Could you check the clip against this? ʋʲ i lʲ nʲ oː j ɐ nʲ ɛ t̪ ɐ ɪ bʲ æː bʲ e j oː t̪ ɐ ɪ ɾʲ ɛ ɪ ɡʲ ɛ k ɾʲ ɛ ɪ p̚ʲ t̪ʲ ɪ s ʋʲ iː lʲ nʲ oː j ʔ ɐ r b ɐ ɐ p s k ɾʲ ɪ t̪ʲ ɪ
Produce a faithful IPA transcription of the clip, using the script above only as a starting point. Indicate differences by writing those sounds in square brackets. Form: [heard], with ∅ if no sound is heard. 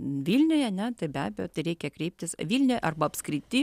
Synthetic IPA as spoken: ʋʲ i lʲ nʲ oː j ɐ nʲ ɛ t̪ ɐ ɪ bʲ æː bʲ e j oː t̪ ɐ ɪ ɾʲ ɛ ɪ [kʲ] ɛ k ɾʲ ɛ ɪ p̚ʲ t̪ʲ ɪ s ʋʲ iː lʲ nʲ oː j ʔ ɐ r b ɐ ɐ p s k ɾʲ ɪ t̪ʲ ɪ